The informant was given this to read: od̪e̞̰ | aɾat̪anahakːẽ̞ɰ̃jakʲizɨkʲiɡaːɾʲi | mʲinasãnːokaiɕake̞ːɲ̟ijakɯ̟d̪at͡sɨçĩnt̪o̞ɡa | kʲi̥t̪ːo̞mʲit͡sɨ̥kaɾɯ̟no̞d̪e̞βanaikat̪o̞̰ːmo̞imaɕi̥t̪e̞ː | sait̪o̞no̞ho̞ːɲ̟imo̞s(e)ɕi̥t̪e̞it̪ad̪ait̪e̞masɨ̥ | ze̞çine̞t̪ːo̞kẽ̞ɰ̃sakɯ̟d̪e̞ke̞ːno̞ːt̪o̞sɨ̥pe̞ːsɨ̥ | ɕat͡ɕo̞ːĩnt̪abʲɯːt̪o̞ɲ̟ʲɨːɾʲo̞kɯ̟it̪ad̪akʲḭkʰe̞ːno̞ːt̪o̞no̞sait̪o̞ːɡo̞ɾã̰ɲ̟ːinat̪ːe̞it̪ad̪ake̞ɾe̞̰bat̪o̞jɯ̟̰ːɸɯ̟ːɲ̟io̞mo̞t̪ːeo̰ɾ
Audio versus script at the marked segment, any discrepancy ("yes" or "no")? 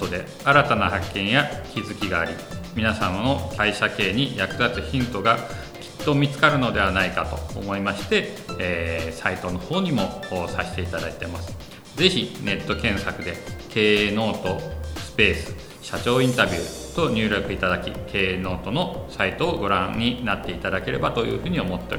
yes